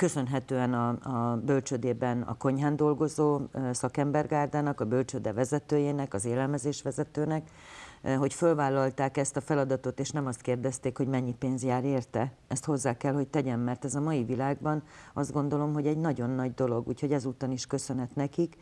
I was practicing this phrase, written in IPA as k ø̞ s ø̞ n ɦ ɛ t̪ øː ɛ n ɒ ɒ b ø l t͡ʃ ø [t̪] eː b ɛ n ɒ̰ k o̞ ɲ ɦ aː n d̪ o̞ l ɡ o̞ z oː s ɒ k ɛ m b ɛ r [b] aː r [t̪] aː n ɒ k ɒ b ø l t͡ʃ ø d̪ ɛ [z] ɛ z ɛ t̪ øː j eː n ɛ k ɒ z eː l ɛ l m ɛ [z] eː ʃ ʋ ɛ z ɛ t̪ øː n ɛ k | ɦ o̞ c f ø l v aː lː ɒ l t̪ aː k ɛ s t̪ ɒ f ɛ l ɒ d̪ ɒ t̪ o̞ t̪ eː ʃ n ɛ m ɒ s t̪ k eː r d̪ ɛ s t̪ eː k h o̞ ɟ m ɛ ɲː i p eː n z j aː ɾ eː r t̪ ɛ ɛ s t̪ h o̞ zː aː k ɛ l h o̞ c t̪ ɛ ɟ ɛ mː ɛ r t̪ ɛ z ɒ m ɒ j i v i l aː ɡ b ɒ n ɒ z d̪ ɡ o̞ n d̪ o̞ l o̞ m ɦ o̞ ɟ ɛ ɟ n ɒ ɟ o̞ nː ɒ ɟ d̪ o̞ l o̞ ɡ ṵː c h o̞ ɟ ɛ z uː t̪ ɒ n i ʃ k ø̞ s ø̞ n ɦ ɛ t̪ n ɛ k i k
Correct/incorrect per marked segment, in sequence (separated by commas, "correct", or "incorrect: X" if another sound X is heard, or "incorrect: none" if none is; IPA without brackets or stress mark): incorrect: d̪, incorrect: ɡ, incorrect: d̪, incorrect: v, correct